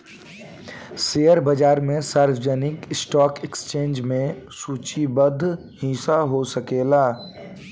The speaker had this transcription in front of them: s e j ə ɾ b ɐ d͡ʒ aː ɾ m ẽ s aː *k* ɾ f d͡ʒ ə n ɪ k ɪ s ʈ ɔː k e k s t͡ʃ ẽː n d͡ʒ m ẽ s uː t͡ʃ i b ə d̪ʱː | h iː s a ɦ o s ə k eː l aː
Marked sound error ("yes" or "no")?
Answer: yes